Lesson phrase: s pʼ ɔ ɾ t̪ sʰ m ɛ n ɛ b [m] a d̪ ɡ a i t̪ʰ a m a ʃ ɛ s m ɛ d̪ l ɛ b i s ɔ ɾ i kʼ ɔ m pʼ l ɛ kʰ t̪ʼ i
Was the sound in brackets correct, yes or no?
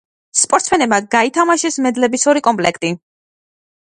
yes